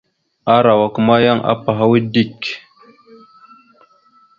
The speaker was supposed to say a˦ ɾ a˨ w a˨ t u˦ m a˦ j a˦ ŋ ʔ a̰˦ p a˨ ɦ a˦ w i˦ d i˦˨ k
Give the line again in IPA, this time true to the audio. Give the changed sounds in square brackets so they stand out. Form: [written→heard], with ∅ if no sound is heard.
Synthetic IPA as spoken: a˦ ɾ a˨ w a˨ [t→k] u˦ m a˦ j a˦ ŋ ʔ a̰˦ p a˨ ɦ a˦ w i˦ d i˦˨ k